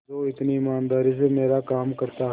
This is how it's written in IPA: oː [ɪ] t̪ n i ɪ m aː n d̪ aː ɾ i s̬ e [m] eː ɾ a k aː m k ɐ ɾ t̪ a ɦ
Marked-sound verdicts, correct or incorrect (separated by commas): correct, correct